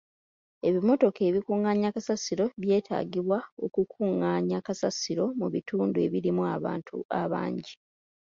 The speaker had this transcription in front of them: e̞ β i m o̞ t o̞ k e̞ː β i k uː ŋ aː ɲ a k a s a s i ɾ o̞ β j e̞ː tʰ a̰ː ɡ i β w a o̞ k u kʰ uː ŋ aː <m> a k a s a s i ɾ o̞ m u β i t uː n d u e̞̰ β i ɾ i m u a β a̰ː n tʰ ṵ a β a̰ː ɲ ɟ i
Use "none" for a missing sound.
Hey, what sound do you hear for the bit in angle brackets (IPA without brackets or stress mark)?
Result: ɲ